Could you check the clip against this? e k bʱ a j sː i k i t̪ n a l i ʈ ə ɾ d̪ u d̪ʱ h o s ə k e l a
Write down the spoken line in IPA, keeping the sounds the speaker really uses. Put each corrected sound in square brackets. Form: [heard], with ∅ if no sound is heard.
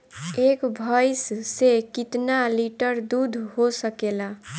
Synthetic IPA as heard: e k bʱ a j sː [e] k i t̪ n a l i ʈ ə ɾ d̪ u d̪ʱ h o s ə k e l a